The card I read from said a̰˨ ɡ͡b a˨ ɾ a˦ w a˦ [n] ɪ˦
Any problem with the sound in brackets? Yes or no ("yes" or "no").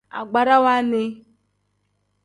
no